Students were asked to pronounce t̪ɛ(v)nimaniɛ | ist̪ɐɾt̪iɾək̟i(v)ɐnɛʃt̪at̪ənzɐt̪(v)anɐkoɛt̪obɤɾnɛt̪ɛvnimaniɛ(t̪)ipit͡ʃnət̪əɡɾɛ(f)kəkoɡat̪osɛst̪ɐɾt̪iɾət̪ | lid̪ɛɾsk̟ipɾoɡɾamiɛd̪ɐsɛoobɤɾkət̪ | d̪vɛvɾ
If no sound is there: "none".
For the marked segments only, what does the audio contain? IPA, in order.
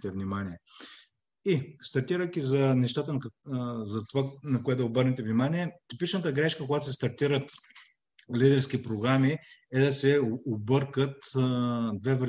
v, z, v, t̪, ʃ

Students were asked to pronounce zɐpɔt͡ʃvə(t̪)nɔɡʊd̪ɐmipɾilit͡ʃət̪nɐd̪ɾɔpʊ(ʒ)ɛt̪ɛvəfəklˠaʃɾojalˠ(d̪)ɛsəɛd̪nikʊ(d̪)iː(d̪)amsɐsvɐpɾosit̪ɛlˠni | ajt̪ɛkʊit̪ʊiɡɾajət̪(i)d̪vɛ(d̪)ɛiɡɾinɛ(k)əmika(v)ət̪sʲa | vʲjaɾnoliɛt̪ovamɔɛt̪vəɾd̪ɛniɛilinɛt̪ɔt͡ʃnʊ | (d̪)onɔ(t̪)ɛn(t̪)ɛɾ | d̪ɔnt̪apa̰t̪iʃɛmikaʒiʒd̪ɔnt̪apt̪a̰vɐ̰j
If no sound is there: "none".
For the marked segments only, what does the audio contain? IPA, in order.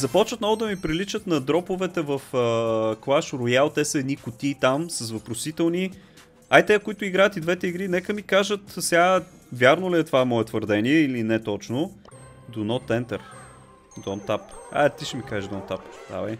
t̪, v, t̪, t̪, t̪, i, t̪, k, ʒ, d̪, t̪, t̪

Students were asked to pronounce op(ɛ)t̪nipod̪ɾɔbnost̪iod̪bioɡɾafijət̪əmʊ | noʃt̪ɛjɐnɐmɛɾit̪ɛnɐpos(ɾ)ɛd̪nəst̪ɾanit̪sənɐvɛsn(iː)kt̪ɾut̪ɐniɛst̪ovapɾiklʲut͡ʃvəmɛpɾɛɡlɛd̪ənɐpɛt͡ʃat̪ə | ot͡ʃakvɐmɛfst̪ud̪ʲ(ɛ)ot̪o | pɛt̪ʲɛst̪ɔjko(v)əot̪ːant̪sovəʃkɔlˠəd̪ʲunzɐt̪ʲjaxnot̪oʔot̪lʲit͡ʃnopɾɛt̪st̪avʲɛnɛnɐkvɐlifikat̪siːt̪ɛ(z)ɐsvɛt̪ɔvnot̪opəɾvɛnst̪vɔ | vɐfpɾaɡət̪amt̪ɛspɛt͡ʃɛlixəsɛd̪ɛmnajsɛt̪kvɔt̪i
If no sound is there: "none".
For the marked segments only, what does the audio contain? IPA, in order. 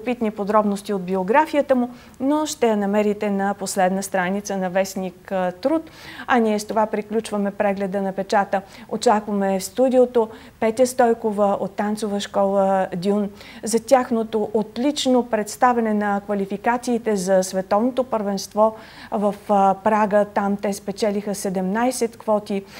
i, l, i, i, v, z

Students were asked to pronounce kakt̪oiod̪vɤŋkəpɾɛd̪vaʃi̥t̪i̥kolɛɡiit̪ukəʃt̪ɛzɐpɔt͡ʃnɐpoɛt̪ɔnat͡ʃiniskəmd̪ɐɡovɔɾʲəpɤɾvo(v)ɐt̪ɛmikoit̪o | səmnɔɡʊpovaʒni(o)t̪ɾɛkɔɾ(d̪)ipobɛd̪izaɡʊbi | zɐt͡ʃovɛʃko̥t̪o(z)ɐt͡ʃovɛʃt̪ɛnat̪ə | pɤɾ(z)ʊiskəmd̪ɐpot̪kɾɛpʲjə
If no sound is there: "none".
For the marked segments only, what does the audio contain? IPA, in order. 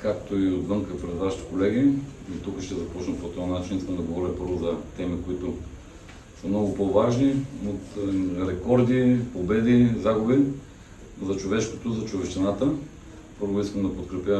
z, o, d̪, z, v

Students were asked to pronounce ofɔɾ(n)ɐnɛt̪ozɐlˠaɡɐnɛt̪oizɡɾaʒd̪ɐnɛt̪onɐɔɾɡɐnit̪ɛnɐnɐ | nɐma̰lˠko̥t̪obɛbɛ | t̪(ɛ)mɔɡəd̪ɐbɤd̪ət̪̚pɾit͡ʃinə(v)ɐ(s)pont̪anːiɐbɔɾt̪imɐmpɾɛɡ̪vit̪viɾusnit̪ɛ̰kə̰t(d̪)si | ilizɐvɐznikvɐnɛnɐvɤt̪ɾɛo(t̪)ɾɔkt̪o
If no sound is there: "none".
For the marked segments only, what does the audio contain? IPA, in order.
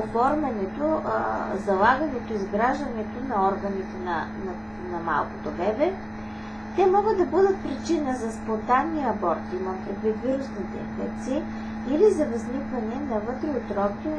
m, ɛ, z, s, t̪, t̪

